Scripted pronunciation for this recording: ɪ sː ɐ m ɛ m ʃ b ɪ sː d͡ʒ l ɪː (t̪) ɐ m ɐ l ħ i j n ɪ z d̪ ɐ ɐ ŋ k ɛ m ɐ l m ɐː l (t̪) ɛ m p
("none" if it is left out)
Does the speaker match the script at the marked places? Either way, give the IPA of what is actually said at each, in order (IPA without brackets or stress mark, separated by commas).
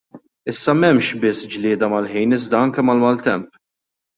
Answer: d̪, t̪